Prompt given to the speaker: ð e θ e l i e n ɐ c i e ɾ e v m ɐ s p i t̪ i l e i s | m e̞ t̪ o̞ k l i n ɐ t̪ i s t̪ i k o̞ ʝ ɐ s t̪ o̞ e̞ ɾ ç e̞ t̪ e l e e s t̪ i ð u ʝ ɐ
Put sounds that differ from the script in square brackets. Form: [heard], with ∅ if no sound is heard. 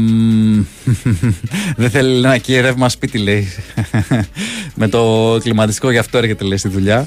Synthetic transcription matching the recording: ð e θ e l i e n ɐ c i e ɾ e v m ɐ s p i t̪ i l e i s | m e̞ t̪ o̞ k l i [m] ɐ t̪ i s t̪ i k o̞ ʝ ɐ [f] t̪ o̞ e̞ ɾ ç e̞ t̪ e l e [i] s t̪ i ð u [ʎ] ɐ